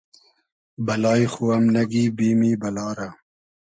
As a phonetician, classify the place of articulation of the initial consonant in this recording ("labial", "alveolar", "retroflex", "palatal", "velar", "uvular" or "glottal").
labial